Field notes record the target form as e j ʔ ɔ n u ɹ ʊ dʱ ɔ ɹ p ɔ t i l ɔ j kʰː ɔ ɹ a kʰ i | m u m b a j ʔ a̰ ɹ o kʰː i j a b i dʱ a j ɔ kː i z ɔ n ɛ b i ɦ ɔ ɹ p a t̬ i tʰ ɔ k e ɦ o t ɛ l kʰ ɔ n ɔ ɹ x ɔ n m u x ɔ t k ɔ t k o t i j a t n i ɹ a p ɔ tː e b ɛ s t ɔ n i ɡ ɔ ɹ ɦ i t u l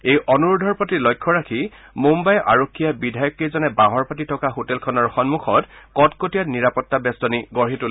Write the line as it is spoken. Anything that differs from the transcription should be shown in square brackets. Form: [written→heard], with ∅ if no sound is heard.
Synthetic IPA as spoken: e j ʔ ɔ n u ɹ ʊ dʱ ɔ ɹ p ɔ t i l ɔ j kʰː ɔ ɹ a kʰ i | m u m b a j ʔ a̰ ɹ o kʰː i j a b i dʱ a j ɔ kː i z ɔ n ɛ b [i→a] ɦ ɔ ɹ p a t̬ i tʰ ɔ k [e→a] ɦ o t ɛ l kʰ ɔ n ɔ ɹ x ɔ n m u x ɔ t k ɔ t k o t i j a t n i ɹ a p ɔ tː [e→a] b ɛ s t ɔ n i ɡ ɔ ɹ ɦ i t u l